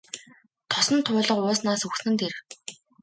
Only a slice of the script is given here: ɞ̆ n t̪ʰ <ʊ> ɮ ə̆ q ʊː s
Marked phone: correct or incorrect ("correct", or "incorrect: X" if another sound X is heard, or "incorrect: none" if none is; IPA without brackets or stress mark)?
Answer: incorrect: ʊː